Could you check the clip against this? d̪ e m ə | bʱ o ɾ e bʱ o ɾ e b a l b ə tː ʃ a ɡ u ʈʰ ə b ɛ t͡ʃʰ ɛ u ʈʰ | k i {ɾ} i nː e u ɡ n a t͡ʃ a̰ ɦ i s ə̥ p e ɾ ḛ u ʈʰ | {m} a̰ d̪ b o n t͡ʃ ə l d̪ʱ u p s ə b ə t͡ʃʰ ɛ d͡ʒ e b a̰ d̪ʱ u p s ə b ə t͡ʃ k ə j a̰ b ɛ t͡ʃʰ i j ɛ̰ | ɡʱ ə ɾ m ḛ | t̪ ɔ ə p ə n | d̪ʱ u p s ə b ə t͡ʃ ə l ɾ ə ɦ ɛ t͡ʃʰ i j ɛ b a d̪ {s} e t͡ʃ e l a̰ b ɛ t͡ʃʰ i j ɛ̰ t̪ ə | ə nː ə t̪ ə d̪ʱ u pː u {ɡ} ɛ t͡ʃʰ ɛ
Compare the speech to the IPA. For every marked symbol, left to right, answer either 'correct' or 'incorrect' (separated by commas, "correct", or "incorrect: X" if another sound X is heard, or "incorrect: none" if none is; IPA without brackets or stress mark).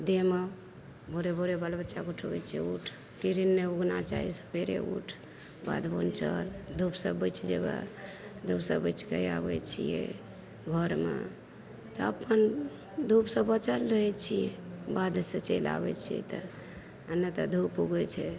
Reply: correct, incorrect: b, correct, correct